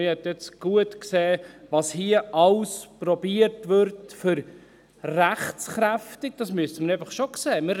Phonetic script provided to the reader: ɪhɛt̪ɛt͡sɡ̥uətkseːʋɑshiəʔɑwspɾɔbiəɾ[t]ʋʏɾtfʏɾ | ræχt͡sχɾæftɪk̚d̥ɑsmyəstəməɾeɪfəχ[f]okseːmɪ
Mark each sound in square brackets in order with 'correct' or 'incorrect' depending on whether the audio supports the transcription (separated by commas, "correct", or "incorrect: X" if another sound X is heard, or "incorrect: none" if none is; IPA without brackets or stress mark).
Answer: correct, incorrect: ʃ